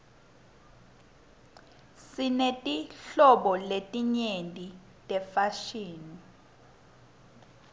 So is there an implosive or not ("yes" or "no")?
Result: yes